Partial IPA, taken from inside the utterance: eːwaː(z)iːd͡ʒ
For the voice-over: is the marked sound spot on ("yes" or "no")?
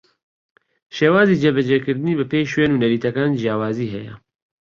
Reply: yes